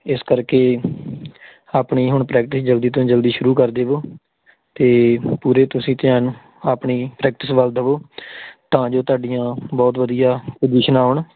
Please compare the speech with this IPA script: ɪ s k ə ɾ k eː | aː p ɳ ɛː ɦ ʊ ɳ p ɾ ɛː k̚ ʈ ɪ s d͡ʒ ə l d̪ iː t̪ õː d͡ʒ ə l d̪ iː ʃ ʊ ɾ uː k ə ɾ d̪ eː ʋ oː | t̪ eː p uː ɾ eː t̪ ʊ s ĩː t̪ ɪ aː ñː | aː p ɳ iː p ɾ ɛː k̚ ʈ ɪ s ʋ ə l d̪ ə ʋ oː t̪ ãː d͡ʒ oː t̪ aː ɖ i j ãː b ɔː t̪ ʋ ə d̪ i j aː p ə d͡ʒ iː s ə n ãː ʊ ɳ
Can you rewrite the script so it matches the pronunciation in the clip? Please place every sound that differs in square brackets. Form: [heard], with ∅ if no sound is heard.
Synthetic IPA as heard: ɪ s k ə ɾ k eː | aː p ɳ [iː] ɦ ʊ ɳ p ɾ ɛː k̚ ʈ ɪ s d͡ʒ ə l d̪ iː t̪ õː d͡ʒ ə l d̪ iː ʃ ʊ ɾ uː k ə ɾ d̪ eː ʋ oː | t̪ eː p uː ɾ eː t̪ ʊ s ĩː t̪ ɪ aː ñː | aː p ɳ iː p ɾ ɛː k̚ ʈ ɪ s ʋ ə l d̪ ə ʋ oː t̪ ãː d͡ʒ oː t̪ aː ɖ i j ãː b ɔː t̪ ʋ ə d̪ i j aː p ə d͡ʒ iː [ʃ] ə n [aː] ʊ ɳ